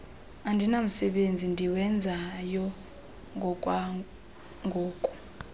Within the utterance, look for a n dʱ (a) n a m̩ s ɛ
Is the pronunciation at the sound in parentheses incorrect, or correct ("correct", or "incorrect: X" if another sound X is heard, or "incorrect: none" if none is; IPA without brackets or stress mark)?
incorrect: i